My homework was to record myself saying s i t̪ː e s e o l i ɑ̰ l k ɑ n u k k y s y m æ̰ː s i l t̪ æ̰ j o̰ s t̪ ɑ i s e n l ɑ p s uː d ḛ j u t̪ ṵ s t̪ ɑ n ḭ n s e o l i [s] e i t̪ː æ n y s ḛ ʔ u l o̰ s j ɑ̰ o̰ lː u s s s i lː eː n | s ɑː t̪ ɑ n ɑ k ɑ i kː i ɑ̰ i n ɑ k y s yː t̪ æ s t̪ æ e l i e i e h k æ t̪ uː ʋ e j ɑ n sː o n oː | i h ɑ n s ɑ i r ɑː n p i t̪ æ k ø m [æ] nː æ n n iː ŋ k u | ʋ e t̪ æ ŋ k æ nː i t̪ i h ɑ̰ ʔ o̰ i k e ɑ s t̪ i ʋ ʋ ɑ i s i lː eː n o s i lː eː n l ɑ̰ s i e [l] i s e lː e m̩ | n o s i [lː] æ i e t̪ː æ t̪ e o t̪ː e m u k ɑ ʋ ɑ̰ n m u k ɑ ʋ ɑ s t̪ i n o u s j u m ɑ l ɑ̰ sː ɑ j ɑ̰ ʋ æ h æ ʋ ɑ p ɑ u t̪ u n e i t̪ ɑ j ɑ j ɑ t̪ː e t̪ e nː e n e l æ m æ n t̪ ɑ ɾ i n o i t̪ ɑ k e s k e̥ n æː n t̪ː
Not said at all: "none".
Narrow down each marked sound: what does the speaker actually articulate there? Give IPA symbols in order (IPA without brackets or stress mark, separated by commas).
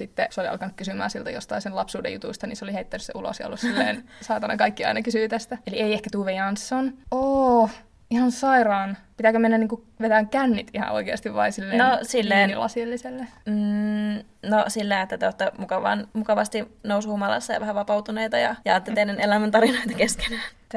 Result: h, e, lː, lː